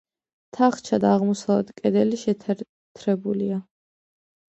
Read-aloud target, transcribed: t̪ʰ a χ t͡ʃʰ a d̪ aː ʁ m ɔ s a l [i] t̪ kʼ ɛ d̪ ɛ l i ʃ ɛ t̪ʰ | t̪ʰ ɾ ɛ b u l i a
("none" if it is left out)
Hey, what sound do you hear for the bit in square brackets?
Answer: ɛ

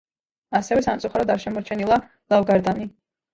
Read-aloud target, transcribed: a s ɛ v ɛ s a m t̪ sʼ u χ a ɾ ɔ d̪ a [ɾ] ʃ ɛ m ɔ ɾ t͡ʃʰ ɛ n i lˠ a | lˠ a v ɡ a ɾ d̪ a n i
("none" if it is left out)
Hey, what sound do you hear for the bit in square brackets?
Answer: ɾ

